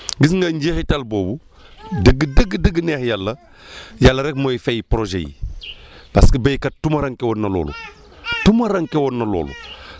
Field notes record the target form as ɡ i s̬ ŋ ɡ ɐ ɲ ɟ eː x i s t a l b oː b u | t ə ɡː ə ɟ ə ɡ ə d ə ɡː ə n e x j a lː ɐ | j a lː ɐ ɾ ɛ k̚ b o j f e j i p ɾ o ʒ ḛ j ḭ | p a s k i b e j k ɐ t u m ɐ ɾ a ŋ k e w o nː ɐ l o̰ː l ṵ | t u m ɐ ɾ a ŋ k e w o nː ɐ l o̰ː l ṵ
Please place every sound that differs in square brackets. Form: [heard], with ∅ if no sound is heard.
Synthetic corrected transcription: ɡ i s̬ ŋ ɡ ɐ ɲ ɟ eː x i [∅] t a l b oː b u | [d] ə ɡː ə [d] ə ɡ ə d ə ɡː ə n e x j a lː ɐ | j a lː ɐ ɾ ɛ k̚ [m] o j f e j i p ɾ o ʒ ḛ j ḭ | p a s k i b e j k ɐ t u m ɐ ɾ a ŋ k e w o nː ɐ l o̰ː l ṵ | t u m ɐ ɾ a ŋ k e w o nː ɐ l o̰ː l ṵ